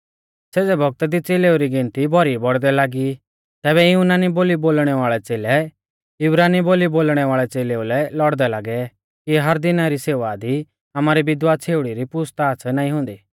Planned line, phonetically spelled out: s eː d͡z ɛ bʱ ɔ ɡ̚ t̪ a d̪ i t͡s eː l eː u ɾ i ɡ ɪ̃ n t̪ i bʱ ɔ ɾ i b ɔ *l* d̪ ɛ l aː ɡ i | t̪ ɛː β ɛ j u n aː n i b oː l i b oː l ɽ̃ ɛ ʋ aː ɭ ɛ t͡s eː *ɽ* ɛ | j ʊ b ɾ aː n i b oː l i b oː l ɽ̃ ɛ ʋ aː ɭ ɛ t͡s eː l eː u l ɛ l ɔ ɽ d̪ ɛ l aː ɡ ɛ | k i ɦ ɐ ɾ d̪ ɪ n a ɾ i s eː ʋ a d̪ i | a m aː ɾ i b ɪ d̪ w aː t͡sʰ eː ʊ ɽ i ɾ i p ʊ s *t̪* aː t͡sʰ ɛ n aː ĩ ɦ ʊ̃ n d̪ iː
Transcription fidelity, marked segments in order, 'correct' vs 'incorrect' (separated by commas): incorrect, incorrect, correct